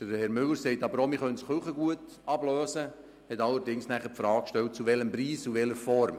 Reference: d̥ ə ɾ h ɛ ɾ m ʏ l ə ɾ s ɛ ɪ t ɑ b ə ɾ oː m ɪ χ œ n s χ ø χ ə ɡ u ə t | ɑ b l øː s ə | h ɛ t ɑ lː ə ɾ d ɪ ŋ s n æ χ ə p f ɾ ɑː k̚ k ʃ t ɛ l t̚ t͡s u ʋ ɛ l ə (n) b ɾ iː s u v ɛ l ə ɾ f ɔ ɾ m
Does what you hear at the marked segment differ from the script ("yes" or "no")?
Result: yes